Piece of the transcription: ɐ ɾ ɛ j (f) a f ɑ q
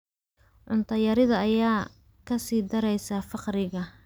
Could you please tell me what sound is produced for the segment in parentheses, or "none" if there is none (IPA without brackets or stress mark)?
s